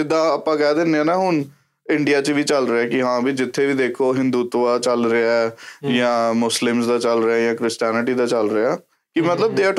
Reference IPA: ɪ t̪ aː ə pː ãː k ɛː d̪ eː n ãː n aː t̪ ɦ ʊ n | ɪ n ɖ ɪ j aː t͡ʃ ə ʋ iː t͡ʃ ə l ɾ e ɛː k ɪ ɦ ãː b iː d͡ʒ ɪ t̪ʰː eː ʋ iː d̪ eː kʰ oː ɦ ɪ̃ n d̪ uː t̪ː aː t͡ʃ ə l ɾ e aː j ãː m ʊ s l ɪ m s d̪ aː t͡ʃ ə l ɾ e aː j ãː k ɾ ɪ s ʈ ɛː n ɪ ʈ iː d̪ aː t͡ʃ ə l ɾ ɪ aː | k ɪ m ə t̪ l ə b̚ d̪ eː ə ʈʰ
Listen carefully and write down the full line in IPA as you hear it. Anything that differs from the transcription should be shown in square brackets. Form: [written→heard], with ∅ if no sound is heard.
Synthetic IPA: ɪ [t̪→d̪] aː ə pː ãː k ɛː d̪ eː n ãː n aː [t̪→∅] ɦ ʊ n | ɪ [n→ɳ] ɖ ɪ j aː t͡ʃ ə ʋ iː t͡ʃ ə l ɾ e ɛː k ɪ ɦ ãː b iː d͡ʒ ɪ t̪ʰː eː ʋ iː d̪ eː kʰ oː ɦ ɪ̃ n d̪ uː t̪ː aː t͡ʃ ə l ɾ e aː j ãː m ʊ s l ɪ m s d̪ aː t͡ʃ ə l ɾ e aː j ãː k ɾ ɪ s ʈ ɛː n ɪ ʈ iː d̪ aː t͡ʃ ə l ɾ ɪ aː | k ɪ m ə t̪ l ə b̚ d̪ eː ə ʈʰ